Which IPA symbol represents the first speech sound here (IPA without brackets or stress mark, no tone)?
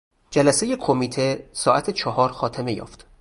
d͡ʒ